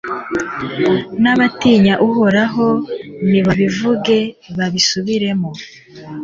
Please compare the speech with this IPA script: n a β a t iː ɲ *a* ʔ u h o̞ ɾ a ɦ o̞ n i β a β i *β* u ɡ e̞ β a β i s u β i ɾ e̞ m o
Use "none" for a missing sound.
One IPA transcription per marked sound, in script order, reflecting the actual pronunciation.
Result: a, v

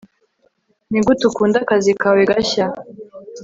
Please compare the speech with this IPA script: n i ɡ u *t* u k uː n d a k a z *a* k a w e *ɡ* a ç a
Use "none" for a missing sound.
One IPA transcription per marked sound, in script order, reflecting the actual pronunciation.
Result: t, i, ɡ

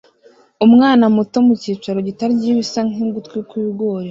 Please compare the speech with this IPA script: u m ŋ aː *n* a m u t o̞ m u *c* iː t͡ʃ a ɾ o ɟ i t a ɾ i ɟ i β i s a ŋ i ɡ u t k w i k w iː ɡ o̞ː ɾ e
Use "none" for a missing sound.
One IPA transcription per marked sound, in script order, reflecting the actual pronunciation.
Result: n, c

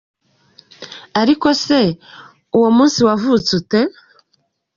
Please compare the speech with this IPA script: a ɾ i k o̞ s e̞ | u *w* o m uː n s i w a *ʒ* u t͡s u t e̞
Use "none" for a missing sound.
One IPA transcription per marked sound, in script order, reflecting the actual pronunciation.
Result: w, v

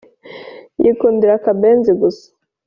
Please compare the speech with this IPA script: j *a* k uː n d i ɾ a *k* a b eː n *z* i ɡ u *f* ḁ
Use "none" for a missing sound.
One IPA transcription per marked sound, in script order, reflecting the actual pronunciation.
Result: i, k, z, s

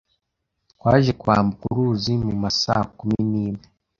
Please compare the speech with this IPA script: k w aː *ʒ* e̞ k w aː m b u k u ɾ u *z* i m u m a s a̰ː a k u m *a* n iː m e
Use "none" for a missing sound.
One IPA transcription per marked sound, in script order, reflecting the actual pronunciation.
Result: ʒ, z, i

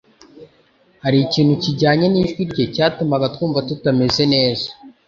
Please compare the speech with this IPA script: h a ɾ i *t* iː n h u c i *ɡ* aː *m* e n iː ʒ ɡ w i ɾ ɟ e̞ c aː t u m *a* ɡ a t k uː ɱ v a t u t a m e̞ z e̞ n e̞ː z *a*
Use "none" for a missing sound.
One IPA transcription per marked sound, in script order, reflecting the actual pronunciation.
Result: c, ɟ, ɲ, a, a

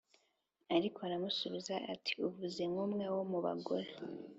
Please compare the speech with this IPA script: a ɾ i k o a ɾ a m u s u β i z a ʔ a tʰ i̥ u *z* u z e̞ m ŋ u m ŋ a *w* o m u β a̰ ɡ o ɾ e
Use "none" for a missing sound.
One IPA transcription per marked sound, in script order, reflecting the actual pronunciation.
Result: v, w

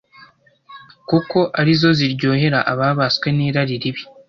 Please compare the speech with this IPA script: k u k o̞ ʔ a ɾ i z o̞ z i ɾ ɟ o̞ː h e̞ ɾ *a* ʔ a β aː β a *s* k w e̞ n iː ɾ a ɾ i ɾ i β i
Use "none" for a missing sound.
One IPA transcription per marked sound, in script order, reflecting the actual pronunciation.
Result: a, s

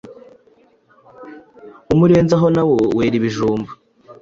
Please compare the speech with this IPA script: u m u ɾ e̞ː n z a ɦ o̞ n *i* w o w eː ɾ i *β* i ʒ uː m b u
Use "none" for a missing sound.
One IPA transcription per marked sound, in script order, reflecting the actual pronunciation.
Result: a, β

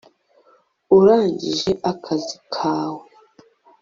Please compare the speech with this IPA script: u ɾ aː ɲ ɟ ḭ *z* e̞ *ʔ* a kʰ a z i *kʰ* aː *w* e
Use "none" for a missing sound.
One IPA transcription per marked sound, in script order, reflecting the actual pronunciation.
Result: ʒ, ʔ, kʰ, w

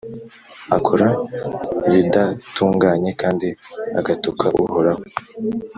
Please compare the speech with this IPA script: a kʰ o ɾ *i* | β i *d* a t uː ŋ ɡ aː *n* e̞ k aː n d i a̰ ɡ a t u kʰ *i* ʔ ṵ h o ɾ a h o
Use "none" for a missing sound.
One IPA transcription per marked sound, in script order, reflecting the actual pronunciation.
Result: a, d, ɲ, a

